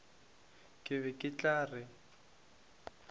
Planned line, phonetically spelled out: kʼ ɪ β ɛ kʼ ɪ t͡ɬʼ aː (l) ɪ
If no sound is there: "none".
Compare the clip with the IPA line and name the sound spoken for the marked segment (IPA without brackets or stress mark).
r